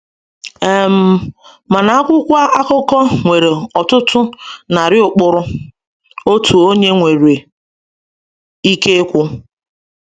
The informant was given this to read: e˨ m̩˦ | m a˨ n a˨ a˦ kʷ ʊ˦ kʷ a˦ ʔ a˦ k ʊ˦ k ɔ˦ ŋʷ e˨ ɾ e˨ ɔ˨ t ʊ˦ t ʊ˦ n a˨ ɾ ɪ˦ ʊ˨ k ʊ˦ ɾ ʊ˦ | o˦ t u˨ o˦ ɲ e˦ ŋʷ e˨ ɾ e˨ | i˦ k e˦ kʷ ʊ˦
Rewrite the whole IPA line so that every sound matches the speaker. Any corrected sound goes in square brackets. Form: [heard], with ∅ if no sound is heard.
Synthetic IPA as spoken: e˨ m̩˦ | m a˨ n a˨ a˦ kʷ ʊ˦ kʷ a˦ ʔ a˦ k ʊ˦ k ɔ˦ ŋʷ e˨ ɾ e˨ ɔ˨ t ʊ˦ t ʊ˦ n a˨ ɾ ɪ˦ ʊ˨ [k͡p] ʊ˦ ɾ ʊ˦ | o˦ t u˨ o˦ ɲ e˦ ŋʷ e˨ ɾ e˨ | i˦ k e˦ kʷ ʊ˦